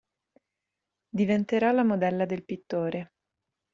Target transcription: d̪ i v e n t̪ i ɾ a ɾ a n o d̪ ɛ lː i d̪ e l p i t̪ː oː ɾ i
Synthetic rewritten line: d̪ i v e n t̪ e ɾ a l a m o d̪ ɛ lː a d̪ e l p i t̪ː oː ɾ e